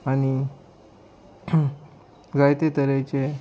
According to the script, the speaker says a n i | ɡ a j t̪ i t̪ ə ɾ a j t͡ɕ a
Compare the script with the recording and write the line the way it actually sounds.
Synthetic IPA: a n i | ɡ a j t̪ e t̪ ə ɾ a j t͡ɕ e